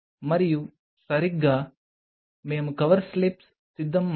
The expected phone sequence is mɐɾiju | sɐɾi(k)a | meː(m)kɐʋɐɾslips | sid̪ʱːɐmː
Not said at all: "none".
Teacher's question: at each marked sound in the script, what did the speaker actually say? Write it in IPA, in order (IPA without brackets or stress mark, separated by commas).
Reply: ɡ, m